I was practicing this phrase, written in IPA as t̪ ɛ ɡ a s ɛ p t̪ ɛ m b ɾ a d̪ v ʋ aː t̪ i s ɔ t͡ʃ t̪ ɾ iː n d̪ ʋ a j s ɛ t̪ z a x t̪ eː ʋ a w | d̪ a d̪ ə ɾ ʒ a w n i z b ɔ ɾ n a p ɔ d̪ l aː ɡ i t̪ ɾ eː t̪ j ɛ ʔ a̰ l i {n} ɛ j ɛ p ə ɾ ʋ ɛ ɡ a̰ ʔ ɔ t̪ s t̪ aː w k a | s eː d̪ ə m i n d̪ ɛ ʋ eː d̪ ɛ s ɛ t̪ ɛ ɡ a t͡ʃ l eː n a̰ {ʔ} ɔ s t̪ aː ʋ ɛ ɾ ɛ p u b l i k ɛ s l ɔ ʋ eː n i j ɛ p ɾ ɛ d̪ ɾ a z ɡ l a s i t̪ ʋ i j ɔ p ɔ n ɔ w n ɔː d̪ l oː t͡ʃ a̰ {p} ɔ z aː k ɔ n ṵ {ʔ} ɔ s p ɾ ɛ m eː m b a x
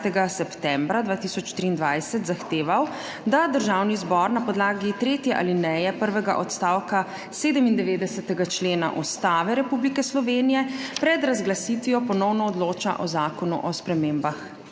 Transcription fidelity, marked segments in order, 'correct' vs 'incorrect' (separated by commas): correct, correct, incorrect, correct